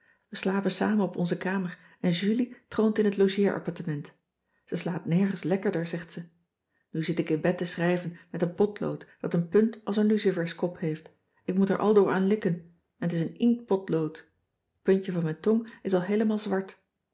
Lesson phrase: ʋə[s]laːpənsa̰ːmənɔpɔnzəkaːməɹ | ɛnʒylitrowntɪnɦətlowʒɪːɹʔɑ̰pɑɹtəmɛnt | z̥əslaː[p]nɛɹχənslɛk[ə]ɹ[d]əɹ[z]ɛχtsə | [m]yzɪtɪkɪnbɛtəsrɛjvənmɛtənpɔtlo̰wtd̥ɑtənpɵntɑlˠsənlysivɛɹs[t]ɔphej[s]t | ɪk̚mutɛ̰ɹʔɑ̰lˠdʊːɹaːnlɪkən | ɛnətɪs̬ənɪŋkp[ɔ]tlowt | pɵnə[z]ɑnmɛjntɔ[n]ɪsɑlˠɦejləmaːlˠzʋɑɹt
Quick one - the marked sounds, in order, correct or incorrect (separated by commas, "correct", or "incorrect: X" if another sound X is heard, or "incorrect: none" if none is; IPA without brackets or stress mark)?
correct, correct, correct, correct, correct, incorrect: n, incorrect: k, incorrect: f, correct, incorrect: v, incorrect: ŋ